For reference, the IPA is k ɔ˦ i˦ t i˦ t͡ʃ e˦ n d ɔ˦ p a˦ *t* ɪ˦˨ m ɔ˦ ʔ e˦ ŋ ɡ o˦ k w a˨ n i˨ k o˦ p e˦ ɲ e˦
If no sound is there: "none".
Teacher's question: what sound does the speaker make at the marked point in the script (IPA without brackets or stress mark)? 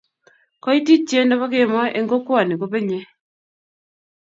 k